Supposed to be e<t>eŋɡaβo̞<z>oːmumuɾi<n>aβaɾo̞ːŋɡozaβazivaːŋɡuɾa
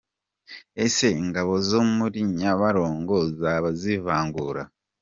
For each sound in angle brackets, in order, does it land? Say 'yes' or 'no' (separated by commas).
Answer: no, yes, no